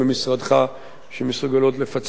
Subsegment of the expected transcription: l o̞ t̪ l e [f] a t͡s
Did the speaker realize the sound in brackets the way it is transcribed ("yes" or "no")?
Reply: yes